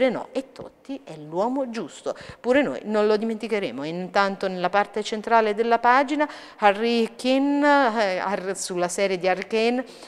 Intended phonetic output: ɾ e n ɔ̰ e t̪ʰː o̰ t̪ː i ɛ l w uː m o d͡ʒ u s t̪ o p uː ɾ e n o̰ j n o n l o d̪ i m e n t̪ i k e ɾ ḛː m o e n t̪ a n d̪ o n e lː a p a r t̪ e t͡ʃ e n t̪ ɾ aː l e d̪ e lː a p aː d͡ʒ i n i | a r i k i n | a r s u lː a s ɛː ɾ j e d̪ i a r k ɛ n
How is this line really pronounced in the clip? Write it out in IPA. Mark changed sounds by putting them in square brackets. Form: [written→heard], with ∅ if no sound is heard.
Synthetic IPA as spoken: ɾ e n ɔ̰ e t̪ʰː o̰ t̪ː i ɛ l w [uː→ɔː] m o d͡ʒ u s t̪ o p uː ɾ e n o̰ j n o n l o d̪ i m e n t̪ i k e ɾ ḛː m o [e→i] n t̪ a n [d̪→t̪] o n e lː a p a r t̪ e t͡ʃ e n t̪ ɾ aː l e d̪ e lː a p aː d͡ʒ i n [i→a] | a r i k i n | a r s u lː a s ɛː ɾ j e d̪ i a r k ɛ n